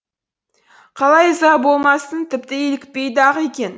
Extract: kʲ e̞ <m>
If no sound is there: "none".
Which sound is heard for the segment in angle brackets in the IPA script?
n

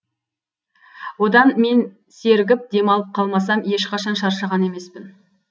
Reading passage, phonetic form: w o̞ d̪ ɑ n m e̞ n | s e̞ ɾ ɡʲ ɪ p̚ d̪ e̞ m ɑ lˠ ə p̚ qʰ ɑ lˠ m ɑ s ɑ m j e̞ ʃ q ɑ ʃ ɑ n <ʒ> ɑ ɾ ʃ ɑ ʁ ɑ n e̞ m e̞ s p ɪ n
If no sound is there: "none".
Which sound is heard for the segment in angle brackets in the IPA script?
ʃ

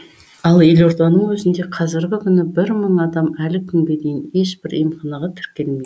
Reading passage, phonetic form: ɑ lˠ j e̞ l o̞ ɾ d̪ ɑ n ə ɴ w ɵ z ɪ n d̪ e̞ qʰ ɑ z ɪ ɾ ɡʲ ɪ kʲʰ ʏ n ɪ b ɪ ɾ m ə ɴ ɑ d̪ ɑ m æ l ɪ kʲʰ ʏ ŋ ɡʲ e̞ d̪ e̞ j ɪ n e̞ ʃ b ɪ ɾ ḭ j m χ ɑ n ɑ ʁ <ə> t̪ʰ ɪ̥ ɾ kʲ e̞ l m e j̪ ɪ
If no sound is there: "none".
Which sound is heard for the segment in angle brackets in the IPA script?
ɑ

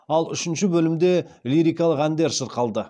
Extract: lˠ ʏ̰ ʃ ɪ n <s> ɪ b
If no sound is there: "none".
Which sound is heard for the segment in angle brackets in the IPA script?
ʃ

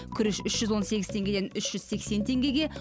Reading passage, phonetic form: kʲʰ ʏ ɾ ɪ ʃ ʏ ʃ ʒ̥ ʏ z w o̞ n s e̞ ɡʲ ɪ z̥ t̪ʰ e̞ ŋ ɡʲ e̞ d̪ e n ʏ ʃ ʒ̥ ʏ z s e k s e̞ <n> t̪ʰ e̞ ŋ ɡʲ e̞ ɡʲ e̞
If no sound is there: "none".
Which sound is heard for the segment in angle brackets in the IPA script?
n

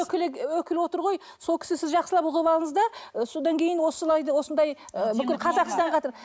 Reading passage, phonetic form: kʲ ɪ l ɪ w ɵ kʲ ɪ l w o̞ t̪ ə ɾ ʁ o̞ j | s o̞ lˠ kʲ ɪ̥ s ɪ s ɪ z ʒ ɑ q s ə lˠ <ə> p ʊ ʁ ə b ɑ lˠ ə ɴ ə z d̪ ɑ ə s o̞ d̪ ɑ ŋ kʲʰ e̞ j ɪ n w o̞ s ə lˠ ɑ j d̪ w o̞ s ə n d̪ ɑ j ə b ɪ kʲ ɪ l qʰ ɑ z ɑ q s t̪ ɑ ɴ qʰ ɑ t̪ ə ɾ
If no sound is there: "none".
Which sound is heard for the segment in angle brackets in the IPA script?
ɑ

